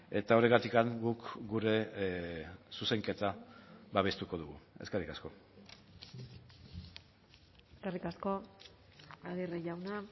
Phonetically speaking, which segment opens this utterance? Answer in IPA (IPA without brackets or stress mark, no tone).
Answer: e̞